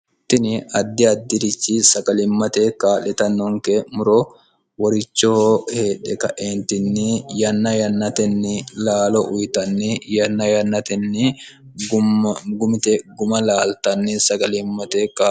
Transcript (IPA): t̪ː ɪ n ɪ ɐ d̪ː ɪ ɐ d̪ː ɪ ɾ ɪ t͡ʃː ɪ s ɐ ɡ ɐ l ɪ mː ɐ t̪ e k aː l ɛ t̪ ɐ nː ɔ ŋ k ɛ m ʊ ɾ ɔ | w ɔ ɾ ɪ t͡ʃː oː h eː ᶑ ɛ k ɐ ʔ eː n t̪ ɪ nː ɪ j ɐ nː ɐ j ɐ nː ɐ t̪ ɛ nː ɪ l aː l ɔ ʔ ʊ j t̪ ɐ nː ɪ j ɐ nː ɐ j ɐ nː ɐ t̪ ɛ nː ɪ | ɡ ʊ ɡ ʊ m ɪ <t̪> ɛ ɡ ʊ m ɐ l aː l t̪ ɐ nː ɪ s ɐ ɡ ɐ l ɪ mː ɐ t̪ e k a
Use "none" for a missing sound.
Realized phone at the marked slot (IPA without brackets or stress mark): t̪